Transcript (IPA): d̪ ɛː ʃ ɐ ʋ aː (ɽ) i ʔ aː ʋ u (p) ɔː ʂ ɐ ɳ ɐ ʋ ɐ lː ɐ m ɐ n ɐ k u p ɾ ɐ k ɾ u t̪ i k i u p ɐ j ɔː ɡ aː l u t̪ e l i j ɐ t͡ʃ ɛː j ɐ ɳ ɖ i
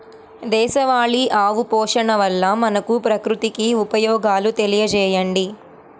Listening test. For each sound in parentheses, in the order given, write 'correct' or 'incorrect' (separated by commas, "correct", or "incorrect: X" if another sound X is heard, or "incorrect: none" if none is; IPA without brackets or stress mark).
incorrect: ɭ, correct